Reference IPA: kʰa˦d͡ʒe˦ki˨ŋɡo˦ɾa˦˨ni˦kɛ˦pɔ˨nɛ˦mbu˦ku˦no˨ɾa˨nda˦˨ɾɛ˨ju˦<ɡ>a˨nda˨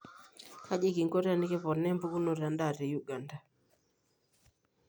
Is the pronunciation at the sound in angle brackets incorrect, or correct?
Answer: correct